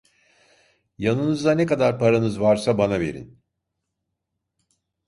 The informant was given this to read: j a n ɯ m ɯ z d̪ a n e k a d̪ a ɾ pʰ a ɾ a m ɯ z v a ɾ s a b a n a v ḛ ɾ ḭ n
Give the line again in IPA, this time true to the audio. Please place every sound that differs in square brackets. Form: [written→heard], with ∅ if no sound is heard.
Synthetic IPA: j a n ɯ [m→n] ɯ z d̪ a n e k a d̪ a ɾ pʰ a ɾ a [m→n] ɯ z v a ɾ s a b a n a v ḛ ɾ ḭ n